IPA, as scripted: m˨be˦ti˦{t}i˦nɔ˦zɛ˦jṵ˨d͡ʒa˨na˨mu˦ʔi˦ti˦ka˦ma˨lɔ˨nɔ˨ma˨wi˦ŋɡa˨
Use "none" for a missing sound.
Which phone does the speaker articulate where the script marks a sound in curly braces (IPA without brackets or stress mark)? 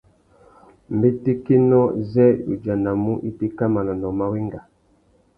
k